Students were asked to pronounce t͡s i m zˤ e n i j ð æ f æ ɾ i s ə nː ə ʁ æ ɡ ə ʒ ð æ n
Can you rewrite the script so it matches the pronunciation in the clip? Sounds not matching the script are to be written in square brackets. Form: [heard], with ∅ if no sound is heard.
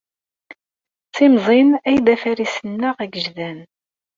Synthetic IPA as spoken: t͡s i m zˤ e n [æ] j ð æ f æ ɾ i s ə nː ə ʁ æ ɡ ə ʒ ð æ n